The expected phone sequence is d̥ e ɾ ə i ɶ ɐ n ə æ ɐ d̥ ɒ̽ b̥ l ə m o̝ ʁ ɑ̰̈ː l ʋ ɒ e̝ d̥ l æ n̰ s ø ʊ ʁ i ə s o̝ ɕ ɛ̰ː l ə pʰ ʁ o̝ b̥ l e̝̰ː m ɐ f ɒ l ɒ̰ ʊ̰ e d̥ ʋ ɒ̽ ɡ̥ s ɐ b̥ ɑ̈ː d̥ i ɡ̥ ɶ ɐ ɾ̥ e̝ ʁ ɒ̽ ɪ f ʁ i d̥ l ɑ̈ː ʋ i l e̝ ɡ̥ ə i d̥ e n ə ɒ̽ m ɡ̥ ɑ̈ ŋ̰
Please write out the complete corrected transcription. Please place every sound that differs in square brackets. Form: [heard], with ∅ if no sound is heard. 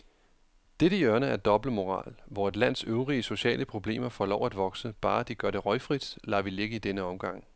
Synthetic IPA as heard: d̥ e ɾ ə i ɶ ɐ n ə æ ɐ d̥ ɒ̽ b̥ l ə m o̝ ʁ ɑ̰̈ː l ʋ ɒ e̝ d̥ l æ n̰ s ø ʊ ʁ i ə s o̝ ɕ ɛ̰ː l ə pʰ ʁ o̝ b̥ l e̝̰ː m ɐ f ɒ l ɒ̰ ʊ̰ [æ] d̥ ʋ ɒ̽ ɡ̥ s [ə] b̥ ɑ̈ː d̥ i ɡ̥ ɶ ɐ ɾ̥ e̝ ʁ ɒ̽ ɪ f ʁ i d̥ l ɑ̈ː ʋ i l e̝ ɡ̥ ə i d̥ e n ə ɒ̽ m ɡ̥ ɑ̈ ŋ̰